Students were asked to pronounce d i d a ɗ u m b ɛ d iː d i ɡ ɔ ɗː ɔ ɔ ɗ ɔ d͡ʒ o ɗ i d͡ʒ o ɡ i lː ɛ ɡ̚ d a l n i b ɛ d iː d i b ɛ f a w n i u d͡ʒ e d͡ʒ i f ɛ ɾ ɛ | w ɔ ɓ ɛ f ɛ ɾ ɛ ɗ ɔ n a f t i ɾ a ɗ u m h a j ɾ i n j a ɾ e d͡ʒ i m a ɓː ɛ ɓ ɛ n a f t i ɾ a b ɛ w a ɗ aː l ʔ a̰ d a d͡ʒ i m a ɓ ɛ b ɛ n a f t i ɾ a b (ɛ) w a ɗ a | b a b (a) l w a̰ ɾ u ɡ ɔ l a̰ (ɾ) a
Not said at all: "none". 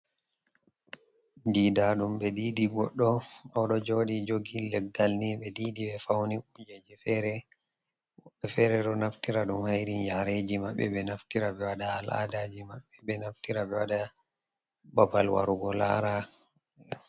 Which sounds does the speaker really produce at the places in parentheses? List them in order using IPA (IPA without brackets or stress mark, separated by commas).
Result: ɛ, a, ɾ